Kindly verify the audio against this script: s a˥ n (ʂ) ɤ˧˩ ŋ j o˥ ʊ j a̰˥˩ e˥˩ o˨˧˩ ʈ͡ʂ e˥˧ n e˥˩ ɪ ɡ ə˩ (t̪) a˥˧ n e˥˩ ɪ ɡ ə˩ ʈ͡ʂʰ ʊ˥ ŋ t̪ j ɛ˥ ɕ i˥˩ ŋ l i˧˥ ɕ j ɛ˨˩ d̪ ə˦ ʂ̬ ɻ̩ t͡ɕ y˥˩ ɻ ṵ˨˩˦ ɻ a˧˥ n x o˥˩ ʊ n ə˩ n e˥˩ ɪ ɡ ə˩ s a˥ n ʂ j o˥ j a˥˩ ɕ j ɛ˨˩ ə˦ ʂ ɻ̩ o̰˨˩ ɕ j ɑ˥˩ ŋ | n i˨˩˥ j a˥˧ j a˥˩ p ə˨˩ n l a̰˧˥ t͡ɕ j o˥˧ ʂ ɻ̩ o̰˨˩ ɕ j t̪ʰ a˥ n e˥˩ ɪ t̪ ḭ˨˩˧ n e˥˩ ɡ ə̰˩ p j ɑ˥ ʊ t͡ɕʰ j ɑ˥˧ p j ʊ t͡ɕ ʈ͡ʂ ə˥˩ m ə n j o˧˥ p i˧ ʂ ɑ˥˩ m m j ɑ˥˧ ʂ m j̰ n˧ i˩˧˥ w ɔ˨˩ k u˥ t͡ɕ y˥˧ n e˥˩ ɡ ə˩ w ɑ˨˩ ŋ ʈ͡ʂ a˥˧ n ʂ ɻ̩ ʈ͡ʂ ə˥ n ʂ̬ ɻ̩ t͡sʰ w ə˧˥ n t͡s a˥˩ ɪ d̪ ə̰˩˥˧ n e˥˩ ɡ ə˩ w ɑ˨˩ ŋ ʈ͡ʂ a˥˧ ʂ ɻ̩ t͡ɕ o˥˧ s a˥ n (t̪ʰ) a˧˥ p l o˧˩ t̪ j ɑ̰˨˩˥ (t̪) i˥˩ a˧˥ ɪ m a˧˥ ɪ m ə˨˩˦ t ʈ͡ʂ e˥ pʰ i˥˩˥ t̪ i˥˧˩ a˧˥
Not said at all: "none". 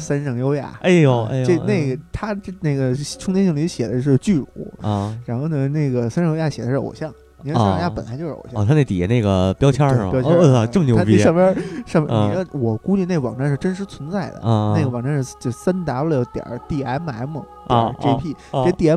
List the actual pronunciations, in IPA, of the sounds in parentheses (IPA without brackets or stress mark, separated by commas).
ʂ, t̪ʰ, t̪, t̪